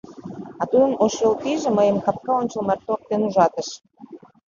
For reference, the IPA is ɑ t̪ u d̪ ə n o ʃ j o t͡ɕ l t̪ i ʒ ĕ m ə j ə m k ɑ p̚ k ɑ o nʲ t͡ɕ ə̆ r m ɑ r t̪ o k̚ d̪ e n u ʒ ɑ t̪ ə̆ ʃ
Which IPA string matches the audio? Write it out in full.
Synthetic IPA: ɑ t̪ u d̪ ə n o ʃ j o l t̪ i ʒ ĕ m ə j ə m k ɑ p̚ k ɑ o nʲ t͡ɕ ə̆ l m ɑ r t̪ o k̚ t̪ e n u ʒ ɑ t̪ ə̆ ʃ